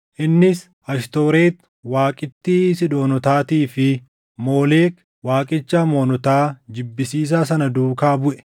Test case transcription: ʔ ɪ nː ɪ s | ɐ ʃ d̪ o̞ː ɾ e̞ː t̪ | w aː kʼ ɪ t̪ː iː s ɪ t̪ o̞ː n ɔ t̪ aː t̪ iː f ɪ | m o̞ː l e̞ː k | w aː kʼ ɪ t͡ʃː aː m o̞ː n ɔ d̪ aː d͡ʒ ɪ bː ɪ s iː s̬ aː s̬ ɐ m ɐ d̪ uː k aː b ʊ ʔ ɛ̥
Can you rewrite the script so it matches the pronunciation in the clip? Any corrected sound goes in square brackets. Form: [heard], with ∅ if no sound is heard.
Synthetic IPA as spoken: ʔ ɪ nː ɪ s | ɐ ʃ [t̪] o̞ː ɾ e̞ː t̪ | w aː kʼ ɪ t̪ː iː s ɪ [d̪] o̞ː n ɔ t̪ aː t̪ iː f ɪ | m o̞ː l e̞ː k | w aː kʼ ɪ t͡ʃː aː m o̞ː n ɔ [t̪] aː d͡ʒ ɪ bː ɪ s iː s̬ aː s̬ ɐ [n] ɐ d̪ uː k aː b ʊ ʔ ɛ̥